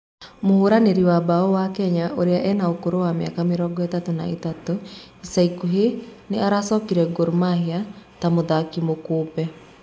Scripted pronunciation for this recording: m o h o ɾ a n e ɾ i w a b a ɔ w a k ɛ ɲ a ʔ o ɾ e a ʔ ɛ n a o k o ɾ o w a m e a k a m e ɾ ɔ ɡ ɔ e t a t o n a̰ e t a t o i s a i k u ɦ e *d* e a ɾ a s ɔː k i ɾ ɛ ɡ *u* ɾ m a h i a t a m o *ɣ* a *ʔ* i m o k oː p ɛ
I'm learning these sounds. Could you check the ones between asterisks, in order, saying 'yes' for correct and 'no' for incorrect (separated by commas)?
no, no, no, no